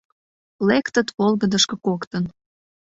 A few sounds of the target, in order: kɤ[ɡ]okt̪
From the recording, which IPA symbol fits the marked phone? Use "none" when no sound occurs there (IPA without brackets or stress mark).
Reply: k